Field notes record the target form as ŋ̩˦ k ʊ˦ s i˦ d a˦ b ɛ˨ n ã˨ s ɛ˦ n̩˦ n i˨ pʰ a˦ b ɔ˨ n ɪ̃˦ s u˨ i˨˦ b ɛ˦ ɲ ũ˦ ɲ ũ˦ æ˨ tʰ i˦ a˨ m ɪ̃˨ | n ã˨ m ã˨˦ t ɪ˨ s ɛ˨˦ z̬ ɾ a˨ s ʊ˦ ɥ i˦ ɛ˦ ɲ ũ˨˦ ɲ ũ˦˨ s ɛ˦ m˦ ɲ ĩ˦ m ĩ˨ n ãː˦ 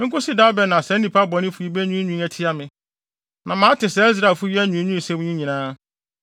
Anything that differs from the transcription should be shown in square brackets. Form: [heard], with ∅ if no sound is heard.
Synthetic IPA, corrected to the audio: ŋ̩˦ k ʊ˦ s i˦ d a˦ b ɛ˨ n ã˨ s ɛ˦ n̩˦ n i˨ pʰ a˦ b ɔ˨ n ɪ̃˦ [f] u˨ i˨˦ b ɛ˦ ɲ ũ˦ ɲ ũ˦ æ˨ tʰ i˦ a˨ m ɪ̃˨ | n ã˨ m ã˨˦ t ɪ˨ s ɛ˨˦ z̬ ɾ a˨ [f] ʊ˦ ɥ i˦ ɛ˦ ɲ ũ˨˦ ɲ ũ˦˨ s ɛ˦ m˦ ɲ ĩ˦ [ɲ] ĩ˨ n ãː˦